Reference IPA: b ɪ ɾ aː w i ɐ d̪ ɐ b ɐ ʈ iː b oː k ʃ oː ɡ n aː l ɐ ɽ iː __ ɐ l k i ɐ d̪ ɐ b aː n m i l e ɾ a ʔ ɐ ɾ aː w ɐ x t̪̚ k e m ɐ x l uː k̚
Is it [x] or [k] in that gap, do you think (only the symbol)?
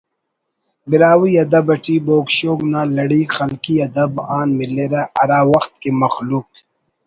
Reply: x